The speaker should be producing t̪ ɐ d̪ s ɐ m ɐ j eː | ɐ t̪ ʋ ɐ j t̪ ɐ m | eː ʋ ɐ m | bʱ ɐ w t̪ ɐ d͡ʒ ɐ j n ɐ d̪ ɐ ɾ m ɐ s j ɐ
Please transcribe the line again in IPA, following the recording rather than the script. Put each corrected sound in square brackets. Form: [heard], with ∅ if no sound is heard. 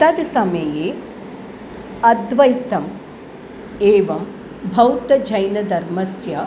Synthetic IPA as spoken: t̪ ɐ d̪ s ɐ m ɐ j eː | ɐ [d̪] ʋ ɐ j t̪ ɐ m | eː ʋ ɐ m | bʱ ɐ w t̪ ɐ d͡ʒ ɐ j n ɐ d̪ ɐ ɾ m ɐ s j ɐ